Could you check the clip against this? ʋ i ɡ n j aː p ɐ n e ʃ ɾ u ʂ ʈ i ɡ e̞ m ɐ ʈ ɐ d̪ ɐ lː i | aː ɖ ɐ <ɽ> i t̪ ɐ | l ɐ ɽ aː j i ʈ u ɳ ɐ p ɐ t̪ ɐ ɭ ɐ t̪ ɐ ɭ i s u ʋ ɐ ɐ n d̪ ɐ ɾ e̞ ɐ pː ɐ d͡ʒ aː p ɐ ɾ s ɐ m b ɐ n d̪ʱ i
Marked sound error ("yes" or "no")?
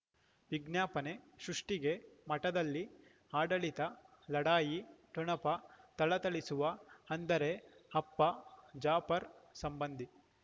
yes